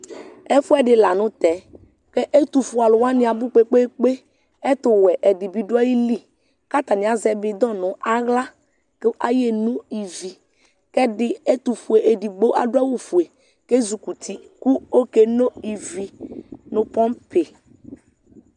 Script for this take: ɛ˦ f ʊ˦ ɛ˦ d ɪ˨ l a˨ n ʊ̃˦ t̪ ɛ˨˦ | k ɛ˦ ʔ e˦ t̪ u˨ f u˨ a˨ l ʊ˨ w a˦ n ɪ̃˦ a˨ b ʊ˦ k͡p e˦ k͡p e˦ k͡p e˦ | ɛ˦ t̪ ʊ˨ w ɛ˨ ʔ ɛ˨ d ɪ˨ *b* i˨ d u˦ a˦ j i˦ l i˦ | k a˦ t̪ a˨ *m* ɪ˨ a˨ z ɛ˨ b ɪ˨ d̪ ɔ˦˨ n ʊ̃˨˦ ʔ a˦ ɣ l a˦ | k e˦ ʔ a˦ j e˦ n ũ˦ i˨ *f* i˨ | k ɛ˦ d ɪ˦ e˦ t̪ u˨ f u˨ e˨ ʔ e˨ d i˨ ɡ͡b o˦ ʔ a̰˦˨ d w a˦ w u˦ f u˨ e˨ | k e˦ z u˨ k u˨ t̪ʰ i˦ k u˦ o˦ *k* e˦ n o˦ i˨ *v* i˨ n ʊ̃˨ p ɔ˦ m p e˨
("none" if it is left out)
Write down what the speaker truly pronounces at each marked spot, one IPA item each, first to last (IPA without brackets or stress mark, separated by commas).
b, n, v, k, v